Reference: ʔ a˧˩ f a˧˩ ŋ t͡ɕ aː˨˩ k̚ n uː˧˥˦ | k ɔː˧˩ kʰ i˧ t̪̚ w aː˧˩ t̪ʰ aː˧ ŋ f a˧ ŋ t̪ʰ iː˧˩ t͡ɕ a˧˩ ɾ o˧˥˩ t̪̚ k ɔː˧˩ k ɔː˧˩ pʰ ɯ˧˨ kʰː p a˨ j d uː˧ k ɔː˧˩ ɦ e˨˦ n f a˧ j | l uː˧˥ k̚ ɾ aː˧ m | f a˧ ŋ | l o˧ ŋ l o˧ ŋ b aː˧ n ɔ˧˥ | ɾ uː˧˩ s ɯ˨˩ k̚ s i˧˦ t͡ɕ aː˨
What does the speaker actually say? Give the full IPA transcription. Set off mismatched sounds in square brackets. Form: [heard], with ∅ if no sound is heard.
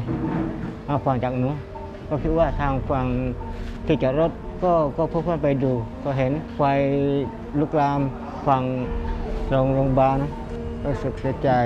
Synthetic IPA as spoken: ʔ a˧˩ f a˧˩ ŋ t͡ɕ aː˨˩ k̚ n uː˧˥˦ | k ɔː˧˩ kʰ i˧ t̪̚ w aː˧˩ t̪ʰ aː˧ ŋ f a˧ ŋ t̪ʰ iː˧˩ t͡ɕ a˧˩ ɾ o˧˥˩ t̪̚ k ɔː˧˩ k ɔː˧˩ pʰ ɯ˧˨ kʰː p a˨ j d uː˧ k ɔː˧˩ ɦ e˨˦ n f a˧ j | l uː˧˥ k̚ [l] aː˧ m | f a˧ ŋ | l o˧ ŋ l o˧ ŋ b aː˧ n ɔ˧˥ | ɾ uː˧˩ s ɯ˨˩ k̚ s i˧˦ t͡ɕ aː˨

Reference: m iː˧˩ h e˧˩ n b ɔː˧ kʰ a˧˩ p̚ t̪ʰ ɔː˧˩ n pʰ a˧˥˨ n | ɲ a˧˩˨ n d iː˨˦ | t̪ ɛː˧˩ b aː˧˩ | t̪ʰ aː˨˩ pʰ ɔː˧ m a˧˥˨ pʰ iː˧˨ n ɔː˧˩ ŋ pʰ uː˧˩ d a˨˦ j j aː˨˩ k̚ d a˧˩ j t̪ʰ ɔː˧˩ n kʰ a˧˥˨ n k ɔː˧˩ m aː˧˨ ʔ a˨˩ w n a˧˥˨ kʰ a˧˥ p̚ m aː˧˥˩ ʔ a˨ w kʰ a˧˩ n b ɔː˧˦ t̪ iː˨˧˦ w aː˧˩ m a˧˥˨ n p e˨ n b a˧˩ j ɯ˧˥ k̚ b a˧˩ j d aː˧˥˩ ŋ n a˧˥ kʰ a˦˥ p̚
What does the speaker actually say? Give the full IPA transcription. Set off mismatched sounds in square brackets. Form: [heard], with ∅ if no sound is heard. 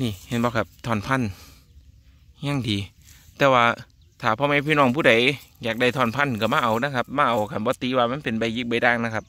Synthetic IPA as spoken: [n] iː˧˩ h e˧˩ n b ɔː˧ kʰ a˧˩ p̚ t̪ʰ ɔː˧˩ n pʰ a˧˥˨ n | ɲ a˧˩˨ [ŋ] d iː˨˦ | t̪ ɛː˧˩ [w] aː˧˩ | t̪ʰ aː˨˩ pʰ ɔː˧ m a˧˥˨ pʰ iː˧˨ n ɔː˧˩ ŋ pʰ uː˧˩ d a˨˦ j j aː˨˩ k̚ d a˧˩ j t̪ʰ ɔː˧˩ n [pʰ] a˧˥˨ n k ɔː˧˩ m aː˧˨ ʔ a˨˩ w n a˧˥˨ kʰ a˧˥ p̚ m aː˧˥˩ ʔ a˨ w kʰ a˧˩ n b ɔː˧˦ t̪ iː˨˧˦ w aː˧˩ m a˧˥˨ n p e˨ n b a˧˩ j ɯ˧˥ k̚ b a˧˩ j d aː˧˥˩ ŋ n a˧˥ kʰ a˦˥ p̚

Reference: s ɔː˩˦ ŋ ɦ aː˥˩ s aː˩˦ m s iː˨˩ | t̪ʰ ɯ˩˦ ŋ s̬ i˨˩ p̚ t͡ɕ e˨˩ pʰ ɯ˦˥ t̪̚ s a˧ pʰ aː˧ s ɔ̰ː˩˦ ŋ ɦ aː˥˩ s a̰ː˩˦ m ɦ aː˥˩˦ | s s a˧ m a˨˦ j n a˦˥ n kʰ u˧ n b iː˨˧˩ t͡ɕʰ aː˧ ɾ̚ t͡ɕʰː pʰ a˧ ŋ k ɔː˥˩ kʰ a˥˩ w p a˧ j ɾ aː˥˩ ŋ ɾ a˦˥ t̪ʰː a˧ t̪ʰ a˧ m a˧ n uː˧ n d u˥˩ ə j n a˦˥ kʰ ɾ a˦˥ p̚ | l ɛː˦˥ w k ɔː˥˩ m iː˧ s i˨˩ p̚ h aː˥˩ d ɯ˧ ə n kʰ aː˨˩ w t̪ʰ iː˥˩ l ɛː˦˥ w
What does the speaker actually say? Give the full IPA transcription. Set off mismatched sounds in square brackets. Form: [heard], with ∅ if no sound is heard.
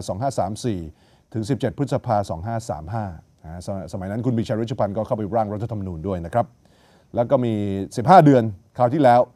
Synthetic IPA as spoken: s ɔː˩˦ ŋ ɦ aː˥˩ s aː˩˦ m s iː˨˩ | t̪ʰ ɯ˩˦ ŋ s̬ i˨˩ p̚ t͡ɕ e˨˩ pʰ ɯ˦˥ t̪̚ s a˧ pʰ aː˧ s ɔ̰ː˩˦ ŋ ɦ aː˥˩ s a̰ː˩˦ m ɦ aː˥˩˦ | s s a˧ m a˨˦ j n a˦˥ n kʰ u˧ n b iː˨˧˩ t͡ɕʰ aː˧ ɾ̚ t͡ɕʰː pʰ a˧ [n] k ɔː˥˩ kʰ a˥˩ w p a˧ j ɾ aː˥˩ ŋ ɾ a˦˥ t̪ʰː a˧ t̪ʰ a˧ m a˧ n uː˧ n d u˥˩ ə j n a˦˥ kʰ ɾ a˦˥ p̚ | l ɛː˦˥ w k ɔː˥˩ m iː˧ s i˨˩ p̚ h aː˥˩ d ɯ˧ ə n kʰ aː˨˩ w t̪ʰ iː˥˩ l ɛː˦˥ w

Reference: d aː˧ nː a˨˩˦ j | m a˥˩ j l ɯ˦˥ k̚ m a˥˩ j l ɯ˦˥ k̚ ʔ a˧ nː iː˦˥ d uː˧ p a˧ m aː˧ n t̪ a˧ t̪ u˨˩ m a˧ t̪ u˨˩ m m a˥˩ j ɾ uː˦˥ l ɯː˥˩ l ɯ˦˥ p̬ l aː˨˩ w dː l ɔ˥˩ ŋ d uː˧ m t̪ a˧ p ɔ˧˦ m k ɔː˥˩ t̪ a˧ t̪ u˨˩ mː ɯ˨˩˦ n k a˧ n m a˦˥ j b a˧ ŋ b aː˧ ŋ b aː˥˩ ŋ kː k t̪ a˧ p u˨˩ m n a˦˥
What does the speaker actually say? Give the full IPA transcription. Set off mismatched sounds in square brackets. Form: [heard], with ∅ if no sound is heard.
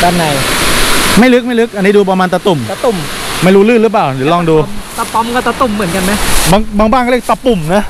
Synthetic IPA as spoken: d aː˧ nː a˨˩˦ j | m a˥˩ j l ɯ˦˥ k̚ m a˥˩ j l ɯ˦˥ k̚ ʔ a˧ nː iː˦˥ d uː˧ p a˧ m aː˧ n t̪ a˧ t̪ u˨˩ m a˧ t̪ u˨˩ m m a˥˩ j ɾ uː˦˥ l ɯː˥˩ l ɯ˦˥ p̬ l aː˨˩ w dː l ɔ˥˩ ŋ d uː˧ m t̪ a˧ p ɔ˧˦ m k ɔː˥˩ t̪ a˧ t̪ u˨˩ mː ɯ˨˩˦ n k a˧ n m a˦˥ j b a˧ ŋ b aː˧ ŋ b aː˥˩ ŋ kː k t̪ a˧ p u˨˩ m n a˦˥

